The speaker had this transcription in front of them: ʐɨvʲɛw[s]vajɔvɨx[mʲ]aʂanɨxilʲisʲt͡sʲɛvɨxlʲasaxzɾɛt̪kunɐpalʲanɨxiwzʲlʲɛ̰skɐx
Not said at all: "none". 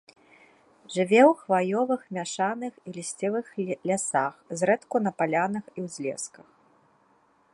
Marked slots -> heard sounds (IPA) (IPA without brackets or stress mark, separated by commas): x, mʲ